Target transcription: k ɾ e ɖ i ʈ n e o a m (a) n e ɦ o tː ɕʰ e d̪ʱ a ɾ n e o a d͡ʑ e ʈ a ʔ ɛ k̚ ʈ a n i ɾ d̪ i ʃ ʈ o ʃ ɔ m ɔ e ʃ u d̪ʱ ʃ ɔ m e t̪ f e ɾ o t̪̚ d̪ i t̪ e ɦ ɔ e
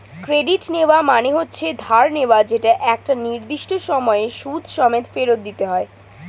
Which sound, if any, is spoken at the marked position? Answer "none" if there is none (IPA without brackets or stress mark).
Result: a